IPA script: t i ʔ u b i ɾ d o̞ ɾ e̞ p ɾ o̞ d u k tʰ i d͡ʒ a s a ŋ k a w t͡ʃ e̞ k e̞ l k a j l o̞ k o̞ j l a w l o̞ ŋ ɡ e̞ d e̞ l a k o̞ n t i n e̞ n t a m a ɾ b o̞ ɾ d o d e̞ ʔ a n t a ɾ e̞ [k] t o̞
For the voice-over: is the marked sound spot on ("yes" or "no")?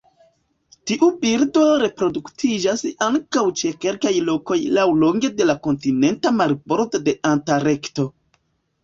yes